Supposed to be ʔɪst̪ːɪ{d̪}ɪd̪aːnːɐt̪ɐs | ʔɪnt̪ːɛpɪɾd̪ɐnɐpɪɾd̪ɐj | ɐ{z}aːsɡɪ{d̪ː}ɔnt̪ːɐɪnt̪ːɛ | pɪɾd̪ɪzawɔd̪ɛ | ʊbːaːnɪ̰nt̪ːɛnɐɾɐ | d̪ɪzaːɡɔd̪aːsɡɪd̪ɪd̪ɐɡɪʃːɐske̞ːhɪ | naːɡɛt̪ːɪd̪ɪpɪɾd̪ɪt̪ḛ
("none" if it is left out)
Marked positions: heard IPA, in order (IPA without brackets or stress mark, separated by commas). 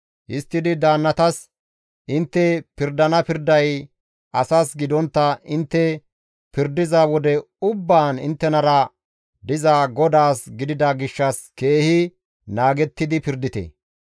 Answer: d̪, s, d̪